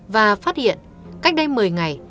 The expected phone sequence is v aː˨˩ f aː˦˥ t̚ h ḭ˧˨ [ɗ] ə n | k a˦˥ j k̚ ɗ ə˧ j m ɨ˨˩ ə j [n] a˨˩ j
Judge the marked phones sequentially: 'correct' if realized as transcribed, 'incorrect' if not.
incorrect: none, incorrect: ŋ

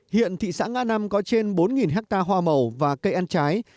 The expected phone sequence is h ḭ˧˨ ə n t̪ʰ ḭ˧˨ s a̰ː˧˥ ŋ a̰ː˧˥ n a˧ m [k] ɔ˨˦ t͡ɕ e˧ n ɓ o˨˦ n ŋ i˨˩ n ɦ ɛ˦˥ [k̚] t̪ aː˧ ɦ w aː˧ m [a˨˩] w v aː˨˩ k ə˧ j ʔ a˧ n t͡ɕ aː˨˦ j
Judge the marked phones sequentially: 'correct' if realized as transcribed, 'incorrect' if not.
correct, correct, incorrect: ə˨˩

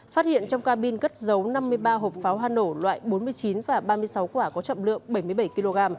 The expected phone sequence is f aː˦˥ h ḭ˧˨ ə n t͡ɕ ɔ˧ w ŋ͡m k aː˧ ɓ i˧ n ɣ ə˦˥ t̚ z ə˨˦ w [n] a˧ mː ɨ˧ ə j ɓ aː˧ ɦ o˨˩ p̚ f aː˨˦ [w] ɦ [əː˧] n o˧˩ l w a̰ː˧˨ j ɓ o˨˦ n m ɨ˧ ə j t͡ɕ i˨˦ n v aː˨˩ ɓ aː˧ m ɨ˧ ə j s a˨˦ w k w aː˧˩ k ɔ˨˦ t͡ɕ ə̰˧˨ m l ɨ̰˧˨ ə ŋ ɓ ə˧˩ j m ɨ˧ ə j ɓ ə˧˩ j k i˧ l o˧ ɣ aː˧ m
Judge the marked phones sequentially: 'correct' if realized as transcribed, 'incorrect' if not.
correct, correct, incorrect: aː˧

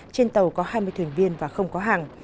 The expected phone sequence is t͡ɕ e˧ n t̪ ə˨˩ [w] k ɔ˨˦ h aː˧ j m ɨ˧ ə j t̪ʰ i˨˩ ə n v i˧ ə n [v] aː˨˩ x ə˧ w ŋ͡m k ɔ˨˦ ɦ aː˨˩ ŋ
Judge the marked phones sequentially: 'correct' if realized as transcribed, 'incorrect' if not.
correct, correct

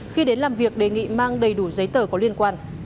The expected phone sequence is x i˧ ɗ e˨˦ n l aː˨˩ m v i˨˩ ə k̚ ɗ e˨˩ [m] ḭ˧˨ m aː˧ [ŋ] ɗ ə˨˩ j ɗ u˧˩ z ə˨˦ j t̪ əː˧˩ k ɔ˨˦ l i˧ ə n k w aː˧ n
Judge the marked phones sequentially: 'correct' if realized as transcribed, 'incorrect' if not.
incorrect: ŋ, correct

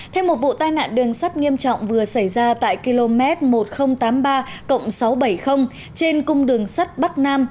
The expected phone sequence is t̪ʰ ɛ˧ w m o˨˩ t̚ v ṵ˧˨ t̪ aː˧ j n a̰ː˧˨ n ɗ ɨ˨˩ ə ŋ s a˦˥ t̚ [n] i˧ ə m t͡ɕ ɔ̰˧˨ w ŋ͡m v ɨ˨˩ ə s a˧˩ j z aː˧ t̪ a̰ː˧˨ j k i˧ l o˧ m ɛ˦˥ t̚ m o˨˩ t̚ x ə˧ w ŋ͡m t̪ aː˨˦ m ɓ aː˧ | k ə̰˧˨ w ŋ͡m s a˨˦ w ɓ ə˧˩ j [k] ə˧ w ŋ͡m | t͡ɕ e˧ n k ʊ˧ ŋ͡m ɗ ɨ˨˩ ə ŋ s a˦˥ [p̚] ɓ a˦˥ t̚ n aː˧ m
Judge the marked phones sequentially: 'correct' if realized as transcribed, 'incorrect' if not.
incorrect: ŋ, incorrect: x, incorrect: t̚

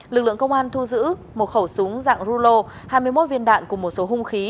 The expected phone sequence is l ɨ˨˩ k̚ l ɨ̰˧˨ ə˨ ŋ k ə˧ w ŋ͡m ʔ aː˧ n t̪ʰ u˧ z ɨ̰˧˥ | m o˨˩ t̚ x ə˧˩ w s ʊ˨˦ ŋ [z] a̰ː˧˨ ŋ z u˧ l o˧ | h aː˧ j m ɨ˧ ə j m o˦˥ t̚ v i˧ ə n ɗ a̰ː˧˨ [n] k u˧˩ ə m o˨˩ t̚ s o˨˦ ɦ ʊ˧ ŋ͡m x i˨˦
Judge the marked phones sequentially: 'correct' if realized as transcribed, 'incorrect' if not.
correct, correct

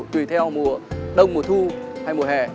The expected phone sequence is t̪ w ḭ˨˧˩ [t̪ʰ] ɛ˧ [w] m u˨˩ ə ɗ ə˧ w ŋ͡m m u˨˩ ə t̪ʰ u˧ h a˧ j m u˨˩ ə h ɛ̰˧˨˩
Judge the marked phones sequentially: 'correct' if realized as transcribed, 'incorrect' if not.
correct, correct

